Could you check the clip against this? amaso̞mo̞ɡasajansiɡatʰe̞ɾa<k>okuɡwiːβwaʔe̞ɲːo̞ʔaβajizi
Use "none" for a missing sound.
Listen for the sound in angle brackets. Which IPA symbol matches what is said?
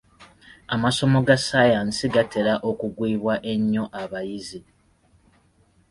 ʔ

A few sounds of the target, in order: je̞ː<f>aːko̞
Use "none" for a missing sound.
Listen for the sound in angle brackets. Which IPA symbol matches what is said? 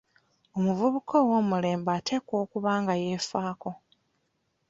f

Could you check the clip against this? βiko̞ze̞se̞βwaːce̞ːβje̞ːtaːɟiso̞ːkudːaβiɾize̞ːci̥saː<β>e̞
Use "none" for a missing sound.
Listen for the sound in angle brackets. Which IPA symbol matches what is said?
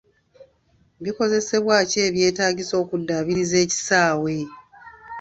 w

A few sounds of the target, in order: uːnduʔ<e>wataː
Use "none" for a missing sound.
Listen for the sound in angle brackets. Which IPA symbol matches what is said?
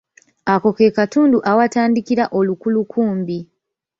a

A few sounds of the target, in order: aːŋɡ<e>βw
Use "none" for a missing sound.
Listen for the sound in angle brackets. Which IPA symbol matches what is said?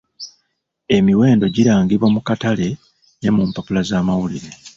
i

